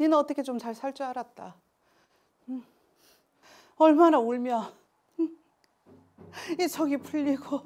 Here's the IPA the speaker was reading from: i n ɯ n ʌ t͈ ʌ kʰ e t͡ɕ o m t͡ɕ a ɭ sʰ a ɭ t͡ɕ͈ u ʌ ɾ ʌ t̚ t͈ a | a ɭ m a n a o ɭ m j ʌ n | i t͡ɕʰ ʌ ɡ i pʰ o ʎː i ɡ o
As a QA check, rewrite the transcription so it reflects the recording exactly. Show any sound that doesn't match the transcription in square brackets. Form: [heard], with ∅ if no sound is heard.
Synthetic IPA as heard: i n ɯ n ʌ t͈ ʌ kʰ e t͡ɕ o m t͡ɕ a ɭ sʰ a ɭ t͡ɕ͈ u [a] ɾ [a] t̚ t͈ a | [ʌ] ɭ m a n a o ɭ m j ʌ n | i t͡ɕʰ ʌ ɡ i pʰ [u] ʎː i ɡ o